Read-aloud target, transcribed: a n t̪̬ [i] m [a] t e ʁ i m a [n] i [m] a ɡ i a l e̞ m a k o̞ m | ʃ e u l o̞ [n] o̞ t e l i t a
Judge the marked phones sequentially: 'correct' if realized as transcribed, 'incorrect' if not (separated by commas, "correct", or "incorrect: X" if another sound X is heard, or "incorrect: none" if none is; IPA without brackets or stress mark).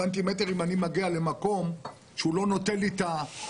correct, incorrect: e, correct, correct, correct